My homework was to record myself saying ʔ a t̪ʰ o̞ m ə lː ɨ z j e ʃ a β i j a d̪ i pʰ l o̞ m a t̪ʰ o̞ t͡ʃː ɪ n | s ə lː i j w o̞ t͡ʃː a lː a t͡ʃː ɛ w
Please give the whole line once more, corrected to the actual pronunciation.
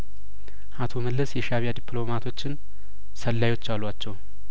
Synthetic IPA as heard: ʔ a t̪ʰ o̞ m ə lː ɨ s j ɛ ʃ a β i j a d̪ i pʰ l o̞ m a t̪ʰ o̞ t͡ʃː ɪ n | s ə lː a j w o̞ t͡ʃː a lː a t͡ʃː ɛ w